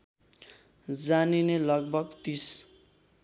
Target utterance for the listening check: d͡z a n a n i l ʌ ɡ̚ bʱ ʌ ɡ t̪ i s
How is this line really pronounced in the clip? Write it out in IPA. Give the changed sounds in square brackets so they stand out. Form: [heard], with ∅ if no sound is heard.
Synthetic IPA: d͡z a n [i] n [e] l ʌ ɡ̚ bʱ ʌ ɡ t̪ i s